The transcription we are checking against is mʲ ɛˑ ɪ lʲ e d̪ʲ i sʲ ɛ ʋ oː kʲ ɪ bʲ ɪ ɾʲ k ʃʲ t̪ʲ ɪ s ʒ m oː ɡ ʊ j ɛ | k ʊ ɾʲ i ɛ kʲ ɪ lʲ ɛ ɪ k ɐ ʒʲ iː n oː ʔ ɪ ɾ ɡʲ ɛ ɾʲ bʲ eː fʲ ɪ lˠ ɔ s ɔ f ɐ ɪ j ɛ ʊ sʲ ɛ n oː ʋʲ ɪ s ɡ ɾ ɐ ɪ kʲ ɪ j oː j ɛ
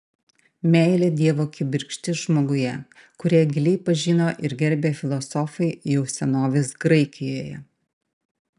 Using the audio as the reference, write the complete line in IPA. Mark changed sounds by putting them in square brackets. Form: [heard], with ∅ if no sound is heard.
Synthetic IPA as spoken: mʲ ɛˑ ɪ lʲ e d̪ʲ i [∅] ɛ ʋ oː kʲ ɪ bʲ ɪ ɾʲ k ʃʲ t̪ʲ ɪ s ʒ m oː ɡ ʊ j ɛ | k ʊ ɾʲ i ɛ [ɡʲ] ɪ lʲ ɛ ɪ [p] ɐ ʒʲ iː n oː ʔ ɪ ɾ ɡʲ ɛ ɾʲ bʲ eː fʲ ɪ lˠ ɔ s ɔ f ɐ ɪ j ɛ ʊ sʲ ɛ n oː ʋʲ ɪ s ɡ ɾ ɐ ɪ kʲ ɪ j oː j ɛ